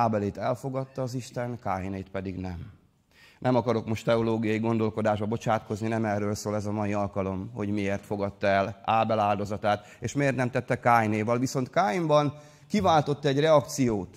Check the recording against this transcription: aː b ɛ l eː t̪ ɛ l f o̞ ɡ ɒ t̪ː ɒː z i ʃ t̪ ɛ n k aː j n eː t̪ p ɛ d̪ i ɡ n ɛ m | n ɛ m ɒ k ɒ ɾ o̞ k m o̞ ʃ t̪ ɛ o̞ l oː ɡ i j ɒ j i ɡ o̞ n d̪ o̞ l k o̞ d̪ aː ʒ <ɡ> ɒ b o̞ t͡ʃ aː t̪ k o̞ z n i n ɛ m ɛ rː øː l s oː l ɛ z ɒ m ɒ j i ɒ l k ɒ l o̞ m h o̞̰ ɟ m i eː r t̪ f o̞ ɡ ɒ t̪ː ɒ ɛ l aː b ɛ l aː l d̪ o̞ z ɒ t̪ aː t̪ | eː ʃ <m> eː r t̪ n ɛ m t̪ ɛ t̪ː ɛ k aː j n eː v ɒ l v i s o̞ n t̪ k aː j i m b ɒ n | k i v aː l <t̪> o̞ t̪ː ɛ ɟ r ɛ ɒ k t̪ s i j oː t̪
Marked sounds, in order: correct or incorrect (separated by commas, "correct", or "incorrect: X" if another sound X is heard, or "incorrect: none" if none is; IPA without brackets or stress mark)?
incorrect: b, correct, correct